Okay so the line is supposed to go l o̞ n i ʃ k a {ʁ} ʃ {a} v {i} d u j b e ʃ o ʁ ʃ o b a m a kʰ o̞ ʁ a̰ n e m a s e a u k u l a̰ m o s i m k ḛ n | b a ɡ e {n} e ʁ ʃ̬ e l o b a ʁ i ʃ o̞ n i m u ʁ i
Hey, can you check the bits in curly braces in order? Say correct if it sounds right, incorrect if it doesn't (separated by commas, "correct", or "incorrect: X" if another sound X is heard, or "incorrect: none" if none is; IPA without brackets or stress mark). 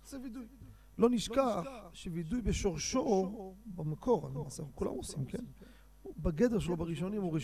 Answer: incorrect: χ, incorrect: e, correct, incorrect: d